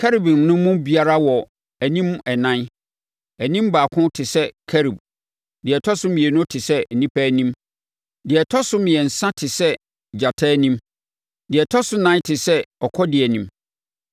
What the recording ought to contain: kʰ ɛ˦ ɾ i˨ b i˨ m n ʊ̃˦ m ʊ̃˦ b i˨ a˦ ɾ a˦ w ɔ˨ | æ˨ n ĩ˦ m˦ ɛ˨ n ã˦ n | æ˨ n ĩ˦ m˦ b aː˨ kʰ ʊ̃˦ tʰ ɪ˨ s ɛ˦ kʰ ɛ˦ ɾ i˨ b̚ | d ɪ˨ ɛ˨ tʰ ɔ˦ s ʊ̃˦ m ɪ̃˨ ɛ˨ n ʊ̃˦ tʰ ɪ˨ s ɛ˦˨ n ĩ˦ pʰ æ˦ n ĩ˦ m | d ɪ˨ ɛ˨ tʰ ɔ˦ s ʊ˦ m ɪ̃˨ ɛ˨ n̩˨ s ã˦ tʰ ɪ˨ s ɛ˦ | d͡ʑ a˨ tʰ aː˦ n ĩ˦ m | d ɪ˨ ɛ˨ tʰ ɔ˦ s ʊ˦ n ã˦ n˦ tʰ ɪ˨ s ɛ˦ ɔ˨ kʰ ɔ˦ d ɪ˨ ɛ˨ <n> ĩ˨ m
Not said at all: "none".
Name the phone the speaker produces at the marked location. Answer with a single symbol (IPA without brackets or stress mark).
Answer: n